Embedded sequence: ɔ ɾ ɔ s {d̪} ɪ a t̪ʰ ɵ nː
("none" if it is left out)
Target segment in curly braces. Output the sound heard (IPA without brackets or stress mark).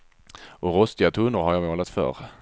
t̪